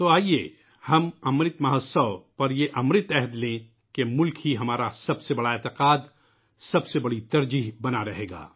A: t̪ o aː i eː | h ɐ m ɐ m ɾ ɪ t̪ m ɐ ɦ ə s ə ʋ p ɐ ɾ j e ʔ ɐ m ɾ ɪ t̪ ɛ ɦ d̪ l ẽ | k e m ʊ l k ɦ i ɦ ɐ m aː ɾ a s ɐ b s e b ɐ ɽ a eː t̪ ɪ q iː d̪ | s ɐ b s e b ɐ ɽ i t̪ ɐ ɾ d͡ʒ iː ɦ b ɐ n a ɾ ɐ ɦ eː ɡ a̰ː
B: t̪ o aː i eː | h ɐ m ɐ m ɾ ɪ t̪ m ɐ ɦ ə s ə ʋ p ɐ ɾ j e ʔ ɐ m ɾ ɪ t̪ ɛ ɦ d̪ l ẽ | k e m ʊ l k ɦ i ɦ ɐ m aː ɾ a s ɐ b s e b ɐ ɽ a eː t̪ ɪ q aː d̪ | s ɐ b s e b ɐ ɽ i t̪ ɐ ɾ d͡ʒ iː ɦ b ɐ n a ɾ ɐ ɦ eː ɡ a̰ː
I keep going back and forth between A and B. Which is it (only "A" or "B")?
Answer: B